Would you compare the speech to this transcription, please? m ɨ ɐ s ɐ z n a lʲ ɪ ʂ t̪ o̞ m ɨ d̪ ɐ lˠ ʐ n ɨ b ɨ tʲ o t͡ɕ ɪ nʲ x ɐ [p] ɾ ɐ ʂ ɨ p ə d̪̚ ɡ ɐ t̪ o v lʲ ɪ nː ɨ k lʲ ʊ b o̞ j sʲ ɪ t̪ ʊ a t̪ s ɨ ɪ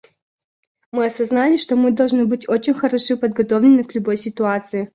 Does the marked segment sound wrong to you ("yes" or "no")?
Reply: yes